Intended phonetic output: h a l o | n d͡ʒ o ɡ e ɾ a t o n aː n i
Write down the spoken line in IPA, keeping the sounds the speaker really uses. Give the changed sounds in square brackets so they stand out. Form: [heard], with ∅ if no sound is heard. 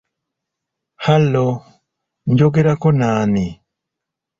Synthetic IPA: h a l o | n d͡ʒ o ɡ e ɾ a [k] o n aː n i